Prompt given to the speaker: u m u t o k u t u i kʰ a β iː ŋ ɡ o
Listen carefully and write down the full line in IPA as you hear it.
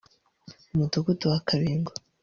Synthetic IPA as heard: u m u t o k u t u a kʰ a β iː ŋ ɡ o